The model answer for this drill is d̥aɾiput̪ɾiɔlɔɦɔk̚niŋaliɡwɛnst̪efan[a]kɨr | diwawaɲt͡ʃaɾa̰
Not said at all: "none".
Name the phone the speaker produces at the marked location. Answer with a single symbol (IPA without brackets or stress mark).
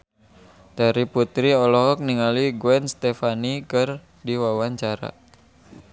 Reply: i